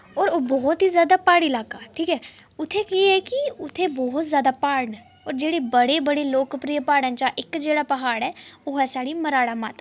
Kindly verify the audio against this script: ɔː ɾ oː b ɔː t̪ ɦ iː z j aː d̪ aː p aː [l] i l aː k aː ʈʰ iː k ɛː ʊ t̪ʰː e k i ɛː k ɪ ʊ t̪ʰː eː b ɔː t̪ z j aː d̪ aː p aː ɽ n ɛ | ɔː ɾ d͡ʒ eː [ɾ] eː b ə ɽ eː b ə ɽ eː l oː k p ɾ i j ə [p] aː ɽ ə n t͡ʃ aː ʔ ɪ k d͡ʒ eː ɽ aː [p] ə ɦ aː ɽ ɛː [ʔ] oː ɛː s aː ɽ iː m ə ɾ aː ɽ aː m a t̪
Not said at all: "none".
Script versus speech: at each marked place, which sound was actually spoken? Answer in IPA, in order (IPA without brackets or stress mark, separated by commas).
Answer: ɽ, ɽ, p, p, none